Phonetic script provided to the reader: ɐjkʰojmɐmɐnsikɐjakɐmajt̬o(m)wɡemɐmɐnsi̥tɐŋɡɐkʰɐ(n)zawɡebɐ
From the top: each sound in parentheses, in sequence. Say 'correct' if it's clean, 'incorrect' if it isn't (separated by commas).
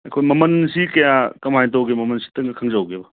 incorrect, incorrect